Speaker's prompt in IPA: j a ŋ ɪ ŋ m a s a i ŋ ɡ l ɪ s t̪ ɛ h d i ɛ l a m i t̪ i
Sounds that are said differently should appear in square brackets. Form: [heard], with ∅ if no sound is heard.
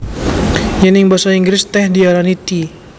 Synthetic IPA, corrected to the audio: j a [n] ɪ ŋ [b] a s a i ŋ ɡ [ɾ] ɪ s t̪ ɛ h d i [a] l a [n] i t̪ i